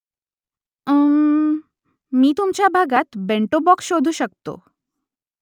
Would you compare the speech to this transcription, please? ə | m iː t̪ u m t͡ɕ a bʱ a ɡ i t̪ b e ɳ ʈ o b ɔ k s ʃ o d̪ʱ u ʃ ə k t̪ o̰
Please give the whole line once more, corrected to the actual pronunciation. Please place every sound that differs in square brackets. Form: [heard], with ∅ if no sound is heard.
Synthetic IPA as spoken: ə | m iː t̪ u m t͡ɕ a bʱ a ɡ [a] t̪ b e ɳ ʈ o b ɔ k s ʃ o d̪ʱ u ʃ ə k t̪ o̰